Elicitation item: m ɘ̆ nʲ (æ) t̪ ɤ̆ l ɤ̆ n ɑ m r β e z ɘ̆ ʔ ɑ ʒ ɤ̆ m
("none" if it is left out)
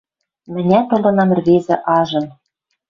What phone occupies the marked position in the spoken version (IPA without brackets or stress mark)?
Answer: æ